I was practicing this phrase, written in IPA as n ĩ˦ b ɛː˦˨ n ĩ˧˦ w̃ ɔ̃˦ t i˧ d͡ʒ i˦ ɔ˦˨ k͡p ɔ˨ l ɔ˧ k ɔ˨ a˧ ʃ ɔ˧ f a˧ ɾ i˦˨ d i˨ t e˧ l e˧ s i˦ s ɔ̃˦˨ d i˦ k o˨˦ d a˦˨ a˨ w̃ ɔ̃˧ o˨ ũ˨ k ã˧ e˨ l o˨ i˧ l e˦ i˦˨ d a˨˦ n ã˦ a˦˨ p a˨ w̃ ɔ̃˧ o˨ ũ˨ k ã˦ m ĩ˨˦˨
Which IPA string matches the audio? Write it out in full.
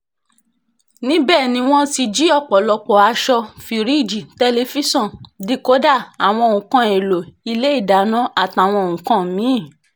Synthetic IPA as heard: n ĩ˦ b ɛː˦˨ n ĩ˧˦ w̃ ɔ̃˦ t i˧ d͡ʒ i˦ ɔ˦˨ k͡p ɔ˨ l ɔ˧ k͡p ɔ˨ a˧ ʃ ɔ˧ f i˧ ɾ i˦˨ d͡ʒ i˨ t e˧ l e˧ f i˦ s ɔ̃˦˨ d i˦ k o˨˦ d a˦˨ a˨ w̃ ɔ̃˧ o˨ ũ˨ k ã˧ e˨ l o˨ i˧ l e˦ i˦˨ d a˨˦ n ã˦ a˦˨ t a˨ w̃ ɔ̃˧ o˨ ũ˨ k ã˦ m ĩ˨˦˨